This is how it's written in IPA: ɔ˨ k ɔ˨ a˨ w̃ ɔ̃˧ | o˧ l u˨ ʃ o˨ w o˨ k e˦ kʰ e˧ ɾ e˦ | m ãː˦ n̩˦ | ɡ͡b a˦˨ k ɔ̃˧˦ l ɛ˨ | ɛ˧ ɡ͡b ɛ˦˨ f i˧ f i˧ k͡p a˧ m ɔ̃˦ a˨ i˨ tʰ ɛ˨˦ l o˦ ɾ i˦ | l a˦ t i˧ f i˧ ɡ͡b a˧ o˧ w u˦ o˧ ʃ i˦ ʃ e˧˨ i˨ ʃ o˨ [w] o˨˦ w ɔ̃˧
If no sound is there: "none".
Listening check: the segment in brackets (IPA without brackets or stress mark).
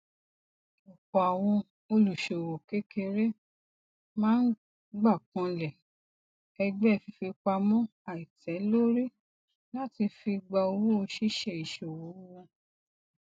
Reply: w